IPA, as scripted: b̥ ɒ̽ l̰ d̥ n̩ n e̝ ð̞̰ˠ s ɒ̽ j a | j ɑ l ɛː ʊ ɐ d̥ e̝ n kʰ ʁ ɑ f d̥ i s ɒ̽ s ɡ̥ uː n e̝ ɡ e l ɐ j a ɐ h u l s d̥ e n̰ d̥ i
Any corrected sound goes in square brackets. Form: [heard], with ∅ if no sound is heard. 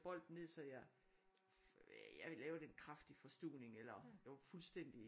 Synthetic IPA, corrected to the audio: b̥ ɒ̽ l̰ d̥ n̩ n e̝ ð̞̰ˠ s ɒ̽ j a | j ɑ l ɛː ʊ ɐ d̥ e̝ n kʰ ʁ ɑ f d̥ i [f] ɒ̽ s [d̥] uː n e̝ [ŋ] e l ɐ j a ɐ [f] u l s d̥ e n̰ d̥ i